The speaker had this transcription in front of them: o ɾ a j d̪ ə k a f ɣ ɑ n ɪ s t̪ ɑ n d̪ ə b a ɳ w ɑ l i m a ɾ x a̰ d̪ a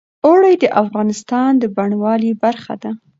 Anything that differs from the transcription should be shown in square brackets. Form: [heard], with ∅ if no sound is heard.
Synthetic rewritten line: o [ɽ] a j d̪ ə [ʔ] a f ɣ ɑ n ɪ s t̪ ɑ n d̪ ə b a ɳ w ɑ l i [b] a ɾ x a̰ d̪ a